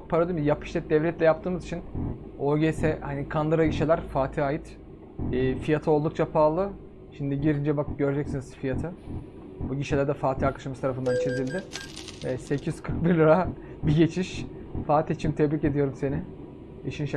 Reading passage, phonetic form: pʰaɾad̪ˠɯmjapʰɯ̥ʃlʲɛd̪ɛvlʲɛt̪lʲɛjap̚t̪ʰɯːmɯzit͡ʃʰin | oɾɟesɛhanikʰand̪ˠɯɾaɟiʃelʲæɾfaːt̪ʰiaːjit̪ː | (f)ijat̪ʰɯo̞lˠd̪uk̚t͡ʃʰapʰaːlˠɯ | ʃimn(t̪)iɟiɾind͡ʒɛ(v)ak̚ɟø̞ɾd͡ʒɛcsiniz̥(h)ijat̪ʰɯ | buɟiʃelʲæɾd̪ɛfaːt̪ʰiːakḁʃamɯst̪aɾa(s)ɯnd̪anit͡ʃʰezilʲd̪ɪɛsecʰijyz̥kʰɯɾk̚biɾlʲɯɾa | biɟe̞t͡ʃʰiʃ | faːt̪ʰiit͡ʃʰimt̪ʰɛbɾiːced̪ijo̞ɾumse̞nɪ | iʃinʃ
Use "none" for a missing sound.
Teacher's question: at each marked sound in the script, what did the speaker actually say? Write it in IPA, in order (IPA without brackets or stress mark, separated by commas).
f, d̪, b, f, f